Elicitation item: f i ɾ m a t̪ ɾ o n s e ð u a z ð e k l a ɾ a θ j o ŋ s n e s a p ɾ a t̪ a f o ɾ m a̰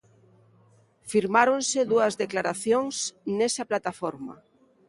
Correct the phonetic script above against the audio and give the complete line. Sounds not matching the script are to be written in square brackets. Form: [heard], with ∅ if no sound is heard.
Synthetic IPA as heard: f i ɾ m a [∅] ɾ o n s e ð u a z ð e k l a ɾ a θ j o ŋ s n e s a p [l] a t̪ a f o ɾ m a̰

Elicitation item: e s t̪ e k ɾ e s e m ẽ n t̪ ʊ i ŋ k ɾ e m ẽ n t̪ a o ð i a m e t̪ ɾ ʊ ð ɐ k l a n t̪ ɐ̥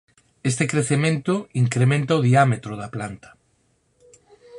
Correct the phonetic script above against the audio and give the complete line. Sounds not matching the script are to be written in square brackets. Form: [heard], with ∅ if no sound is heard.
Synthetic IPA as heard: e s t̪ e k ɾ e [θ] e m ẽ n t̪ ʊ i ŋ k ɾ e m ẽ n t̪ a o ð i a m e t̪ ɾ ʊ ð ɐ [p] l a n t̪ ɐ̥

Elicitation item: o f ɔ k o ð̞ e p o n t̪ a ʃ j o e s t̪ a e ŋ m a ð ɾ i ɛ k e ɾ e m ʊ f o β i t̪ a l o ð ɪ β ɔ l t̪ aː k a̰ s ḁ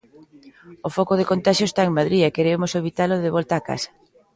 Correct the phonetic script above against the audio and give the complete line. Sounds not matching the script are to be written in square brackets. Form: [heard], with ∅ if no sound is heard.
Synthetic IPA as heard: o f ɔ k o ð̞ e [k] o n t̪ a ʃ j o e s t̪ a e ŋ m a ð ɾ i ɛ k e ɾ e m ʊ [s] o β i t̪ a l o ð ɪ β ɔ l t̪ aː k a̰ s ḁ

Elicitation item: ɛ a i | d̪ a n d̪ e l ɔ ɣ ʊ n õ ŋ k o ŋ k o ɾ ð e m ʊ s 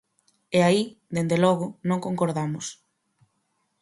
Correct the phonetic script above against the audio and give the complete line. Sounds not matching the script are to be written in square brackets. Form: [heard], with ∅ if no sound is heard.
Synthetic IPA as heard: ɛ a i | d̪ [e] n d̪ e l ɔ ɣ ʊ n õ ŋ k o ŋ k o ɾ ð [a] m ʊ s

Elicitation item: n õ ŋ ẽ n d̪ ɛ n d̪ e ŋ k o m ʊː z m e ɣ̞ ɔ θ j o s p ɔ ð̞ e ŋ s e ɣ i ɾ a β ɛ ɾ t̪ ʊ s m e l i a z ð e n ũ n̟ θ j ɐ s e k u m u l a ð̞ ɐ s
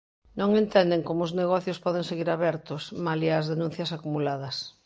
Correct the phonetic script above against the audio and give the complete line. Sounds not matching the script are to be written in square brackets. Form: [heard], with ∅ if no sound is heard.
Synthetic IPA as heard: n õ ŋ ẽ n [t̪] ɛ n d̪ e ŋ k o m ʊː z [n] e ɣ̞ ɔ θ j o s p ɔ ð̞ e ŋ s e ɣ i ɾ a β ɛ ɾ t̪ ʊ s m [a] l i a z ð e n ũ n̟ θ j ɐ s [a] k u m u l a ð̞ ɐ s

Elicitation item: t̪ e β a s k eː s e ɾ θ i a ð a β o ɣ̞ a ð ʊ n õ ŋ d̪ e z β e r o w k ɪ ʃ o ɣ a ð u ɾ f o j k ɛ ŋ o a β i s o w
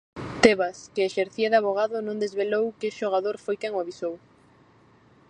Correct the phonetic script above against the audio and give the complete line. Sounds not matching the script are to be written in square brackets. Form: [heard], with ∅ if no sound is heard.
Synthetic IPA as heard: t̪ e β a s k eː [ʃ] e ɾ θ i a ð a β o ɣ̞ a ð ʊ n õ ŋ d̪ e z β e [l] o w k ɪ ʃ o ɣ a ð [o] ɾ f o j k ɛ ŋ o a β i s o w

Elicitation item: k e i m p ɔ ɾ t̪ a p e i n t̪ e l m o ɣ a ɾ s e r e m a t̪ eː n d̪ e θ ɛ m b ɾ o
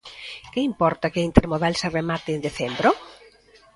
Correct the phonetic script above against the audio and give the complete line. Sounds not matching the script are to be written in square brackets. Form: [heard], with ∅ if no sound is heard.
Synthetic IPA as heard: k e i m p ɔ ɾ t̪ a [k] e i n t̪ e [ɾ] m o [ð] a [l] s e r e m a t̪ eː n d̪ e θ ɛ m b ɾ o

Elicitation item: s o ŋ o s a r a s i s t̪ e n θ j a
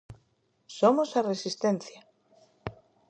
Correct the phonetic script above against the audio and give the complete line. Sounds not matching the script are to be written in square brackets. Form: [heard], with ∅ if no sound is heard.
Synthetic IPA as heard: s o [m] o s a r [e] s i s t̪ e n θ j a

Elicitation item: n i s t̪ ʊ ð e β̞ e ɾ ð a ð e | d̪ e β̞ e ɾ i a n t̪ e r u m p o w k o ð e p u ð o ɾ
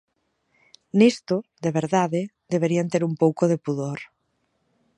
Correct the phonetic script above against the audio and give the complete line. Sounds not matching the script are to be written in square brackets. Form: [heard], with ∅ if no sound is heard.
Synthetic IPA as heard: n i s t̪ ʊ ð e β̞ e ɾ ð a ð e | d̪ e β̞ e ɾ i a n t̪ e [ɾ] u m p o w k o ð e p u ð o ɾ

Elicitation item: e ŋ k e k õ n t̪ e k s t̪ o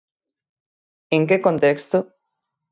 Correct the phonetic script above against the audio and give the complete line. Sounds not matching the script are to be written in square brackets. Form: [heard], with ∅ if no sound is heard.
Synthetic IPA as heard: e ŋ k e k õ n t̪ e k s t̪ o

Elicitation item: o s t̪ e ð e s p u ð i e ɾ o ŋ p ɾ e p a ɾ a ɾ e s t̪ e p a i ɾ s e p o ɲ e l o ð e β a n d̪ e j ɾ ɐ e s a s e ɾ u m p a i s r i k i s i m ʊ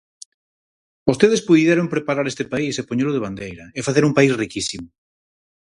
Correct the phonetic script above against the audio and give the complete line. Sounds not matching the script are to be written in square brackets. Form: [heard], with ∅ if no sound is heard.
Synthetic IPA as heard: o s t̪ e ð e s p u ð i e ɾ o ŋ p ɾ e p a ɾ a ɾ e s t̪ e p a i [∅] s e p o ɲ e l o ð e β a n d̪ e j ɾ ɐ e [f] a [θ] e ɾ u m p a i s r i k i s i m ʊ

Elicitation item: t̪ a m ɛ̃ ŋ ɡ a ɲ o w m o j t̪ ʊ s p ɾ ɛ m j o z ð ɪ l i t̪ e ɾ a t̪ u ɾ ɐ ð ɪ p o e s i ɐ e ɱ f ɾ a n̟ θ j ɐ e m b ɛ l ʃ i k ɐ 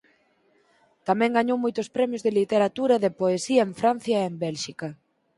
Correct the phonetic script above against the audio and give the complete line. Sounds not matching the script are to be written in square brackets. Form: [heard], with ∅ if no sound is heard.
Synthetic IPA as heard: t̪ a m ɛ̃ ŋ ɡ a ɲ o w m o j t̪ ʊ s p ɾ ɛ m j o z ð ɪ l i t̪ e ɾ a t̪ u ɾ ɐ ð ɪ p o e s i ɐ e ɱ f ɾ a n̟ θ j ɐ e m b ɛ l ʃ i k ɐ

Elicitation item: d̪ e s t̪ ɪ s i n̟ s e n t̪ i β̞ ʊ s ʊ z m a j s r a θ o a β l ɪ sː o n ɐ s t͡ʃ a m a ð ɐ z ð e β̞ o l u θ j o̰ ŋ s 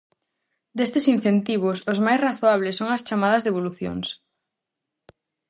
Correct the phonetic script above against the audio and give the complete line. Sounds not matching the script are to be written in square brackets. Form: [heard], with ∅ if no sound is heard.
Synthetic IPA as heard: d̪ e s t̪ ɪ s i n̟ [θ] e n t̪ i β̞ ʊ s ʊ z m a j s r a θ o a β l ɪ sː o [ŋ] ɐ s t͡ʃ a m a ð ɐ z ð e β̞ o l u θ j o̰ ŋ s

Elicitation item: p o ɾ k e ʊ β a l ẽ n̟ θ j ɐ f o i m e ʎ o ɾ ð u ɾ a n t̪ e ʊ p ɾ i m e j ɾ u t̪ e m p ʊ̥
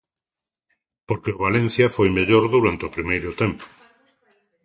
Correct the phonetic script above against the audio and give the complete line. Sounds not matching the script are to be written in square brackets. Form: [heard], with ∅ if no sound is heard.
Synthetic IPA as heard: p o ɾ k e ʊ β a l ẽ n̟ θ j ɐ f o [j] m e ʎ o ɾ ð u ɾ a n t̪ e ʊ p ɾ i m e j ɾ [ʊ] t̪ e m p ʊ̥

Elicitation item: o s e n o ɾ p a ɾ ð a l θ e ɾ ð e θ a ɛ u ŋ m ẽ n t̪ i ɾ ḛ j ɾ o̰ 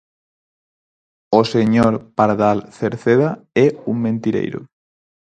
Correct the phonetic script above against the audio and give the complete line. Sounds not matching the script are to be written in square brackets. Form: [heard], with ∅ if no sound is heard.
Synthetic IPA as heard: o s e [ɲ] o ɾ p a ɾ ð a l θ e ɾ [θ] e [ð] a ɛ u ŋ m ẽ n t̪ i ɾ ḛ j ɾ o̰

